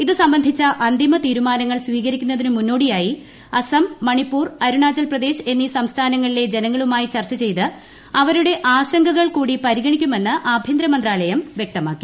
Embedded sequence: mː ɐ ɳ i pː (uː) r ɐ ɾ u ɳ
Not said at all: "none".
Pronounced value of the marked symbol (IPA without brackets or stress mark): uː